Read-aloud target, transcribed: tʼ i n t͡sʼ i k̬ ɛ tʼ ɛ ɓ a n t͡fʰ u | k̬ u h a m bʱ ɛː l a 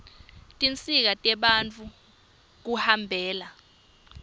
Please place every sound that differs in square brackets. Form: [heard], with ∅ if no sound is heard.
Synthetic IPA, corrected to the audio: tʼ i n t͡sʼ i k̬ [a] tʼ ɛ ɓ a n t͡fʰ u | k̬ u h a m bʱ ɛː l a

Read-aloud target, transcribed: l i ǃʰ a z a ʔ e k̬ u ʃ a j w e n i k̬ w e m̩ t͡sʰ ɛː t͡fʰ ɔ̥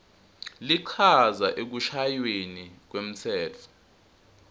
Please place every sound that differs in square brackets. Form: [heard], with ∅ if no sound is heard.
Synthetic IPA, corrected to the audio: l i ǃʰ a z a ʔ e k̬ u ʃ a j w e n i k̬ w e m̩ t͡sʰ ɛː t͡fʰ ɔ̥

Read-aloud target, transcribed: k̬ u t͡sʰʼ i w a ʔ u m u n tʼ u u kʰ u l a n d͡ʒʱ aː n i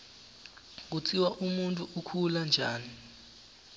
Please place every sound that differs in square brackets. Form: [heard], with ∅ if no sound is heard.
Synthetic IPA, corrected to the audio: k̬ u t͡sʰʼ i w a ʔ u m u n tʼ u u kʰ u l a n d͡ʒʱ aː n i

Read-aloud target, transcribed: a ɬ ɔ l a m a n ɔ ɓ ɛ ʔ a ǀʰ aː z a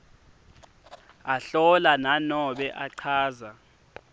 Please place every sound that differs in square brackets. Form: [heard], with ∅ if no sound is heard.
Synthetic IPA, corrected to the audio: a ɬ ɔ l a [n] a n ɔ ɓ ɛ ʔ a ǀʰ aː z a

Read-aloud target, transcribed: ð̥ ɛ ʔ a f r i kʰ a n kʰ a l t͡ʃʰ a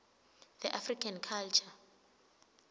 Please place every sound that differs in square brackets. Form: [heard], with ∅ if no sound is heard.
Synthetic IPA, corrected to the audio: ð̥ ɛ ʔ a f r i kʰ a n kʰ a l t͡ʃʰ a

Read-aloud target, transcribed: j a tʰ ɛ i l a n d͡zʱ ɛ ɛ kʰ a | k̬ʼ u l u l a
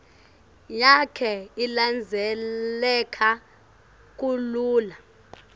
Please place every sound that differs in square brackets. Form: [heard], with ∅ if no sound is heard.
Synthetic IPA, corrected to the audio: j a [kʰ] ɛ i l a n d͡zʱ ɛ ɛ kʰ a | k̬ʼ u l [uː] l a

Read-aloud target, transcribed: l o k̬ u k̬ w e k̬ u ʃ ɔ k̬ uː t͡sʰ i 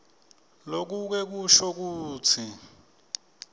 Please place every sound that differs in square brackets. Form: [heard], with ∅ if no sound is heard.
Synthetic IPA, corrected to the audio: l o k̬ u k̬ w [ɛ] k̬ u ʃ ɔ k̬ uː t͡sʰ i

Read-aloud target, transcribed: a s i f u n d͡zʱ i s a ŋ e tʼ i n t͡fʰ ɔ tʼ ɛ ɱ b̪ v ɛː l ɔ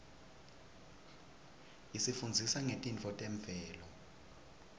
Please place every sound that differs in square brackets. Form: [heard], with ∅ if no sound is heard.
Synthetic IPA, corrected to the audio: [i] s i f u n d͡zʱ i s a ŋ e tʼ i n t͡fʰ ɔ tʼ ɛ ɱ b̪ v ɛː l ɔ

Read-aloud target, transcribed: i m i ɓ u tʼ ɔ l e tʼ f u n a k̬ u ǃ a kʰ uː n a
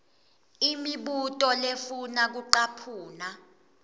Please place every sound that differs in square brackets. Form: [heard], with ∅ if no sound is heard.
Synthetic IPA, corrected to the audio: i m i ɓ u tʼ ɔ l e [∅] f u n a k̬ u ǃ a [pʰ] uː n a

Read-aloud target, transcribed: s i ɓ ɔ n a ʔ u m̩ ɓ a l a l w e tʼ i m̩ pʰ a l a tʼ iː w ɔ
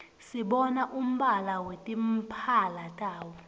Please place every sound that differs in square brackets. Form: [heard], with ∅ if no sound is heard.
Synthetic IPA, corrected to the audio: s i ɓ ɔ n a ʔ u m̩ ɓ a l a [∅] w e tʼ i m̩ pʰ a l a tʼ [aː] w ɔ

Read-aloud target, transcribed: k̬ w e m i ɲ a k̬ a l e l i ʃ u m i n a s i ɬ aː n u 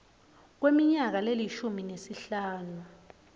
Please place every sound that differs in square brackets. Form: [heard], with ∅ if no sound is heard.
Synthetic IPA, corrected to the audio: k̬ w e m i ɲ a k̬ a l e l i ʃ u m i n [e] s i ɬ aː n u

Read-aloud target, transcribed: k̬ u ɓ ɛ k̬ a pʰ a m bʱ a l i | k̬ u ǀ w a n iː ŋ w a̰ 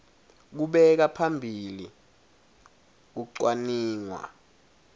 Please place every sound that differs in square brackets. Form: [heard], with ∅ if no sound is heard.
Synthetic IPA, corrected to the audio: k̬ u ɓ ɛ k̬ a pʰ a m bʱ [i] l i | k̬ u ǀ w a n iː ŋ w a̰

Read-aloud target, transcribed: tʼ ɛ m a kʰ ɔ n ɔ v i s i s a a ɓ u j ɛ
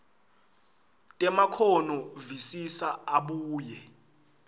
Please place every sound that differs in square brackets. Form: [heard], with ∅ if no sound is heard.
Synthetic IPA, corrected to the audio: tʼ ɛ m a kʰ ɔ n ɔ v i s i s a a ɓ [uː] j ɛ

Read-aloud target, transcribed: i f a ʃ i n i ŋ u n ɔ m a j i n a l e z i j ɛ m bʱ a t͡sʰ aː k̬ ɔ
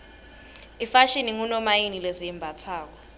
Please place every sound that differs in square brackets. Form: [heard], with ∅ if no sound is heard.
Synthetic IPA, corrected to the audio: i f a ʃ i n i ŋ u n ɔ m a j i n [i] l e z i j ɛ m bʱ a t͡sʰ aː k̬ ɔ

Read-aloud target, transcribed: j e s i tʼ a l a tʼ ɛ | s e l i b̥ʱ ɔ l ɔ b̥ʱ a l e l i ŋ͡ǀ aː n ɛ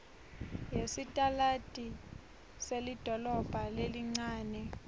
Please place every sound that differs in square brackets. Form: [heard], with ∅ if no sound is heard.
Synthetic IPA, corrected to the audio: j e s i tʼ a l a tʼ [i] | s e l i [d̥ʱ] ɔ l ɔ b̥ʱ a l e l i ŋ͡ǀ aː n ɛ

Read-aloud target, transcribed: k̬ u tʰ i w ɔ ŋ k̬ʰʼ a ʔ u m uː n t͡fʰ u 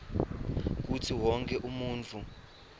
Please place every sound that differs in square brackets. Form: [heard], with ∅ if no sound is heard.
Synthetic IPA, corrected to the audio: k̬ u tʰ i w ɔ ŋ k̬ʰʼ [ɛ] ʔ u m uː n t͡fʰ u

